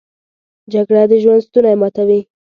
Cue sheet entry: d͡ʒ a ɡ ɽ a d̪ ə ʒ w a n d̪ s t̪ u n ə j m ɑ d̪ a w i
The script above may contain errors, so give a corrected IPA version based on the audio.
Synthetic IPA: d͡ʒ a ɡ ɽ a d̪ ə ʒ w a n d̪ s t̪ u n a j m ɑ t̪ a w i